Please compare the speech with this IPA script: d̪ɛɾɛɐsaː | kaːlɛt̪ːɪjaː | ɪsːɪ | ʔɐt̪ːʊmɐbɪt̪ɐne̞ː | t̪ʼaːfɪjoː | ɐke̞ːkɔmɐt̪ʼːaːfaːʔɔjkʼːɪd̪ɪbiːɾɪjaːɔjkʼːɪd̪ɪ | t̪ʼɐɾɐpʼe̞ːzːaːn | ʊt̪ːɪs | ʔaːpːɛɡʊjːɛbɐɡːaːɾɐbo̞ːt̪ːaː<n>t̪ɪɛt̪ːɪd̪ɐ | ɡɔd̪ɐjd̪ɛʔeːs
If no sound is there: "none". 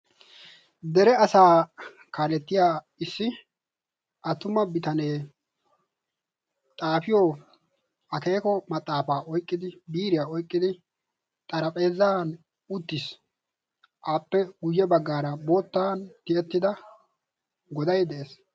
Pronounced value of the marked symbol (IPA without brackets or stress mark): n